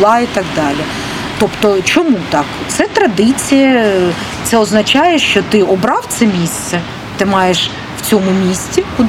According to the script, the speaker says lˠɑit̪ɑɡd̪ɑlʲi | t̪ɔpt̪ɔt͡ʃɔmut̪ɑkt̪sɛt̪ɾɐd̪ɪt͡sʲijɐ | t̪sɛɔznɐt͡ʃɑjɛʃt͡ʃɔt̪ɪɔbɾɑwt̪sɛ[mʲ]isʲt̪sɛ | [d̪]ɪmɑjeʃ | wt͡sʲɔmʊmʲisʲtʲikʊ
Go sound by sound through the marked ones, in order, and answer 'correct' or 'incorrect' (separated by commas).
correct, incorrect